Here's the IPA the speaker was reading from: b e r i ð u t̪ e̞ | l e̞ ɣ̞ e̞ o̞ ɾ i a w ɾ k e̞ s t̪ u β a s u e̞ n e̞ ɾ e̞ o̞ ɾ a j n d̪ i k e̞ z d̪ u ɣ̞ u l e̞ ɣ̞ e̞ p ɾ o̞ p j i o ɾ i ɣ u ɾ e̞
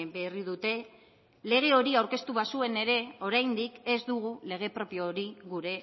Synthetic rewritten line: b e r i ð u t̪ e̞ | l e̞ ɣ̞ e̞ o̞ ɾ i a w ɾ k e̞ s t̪ u β a s u e̞ n e̞ ɾ e̞ o̞ ɾ a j n d̪ i k e̞ z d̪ u ɣ̞ u l e̞ ɣ̞ e̞ p ɾ o̞ p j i o ɾ i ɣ u ɾ e̞